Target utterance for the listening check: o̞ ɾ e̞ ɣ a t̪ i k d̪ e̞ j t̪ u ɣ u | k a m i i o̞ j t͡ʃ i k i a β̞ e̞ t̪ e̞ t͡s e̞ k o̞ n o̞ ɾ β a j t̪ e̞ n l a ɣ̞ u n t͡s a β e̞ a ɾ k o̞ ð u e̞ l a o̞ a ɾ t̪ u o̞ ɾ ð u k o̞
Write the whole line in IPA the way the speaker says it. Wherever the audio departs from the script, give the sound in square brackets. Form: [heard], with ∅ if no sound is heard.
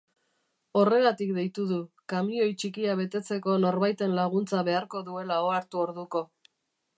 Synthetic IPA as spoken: o̞ [r] e̞ ɣ a t̪ i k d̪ e̞ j t̪ u [ð] u | k a m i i o̞ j t͡ʃ i k i a β̞ e̞ t̪ e̞ t͡s e̞ k o̞ n o̞ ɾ β a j t̪ e̞ n l a ɣ̞ u n t͡s a β e̞ a ɾ k o̞ ð u e̞ l a o̞ a ɾ t̪ u o̞ ɾ ð u k o̞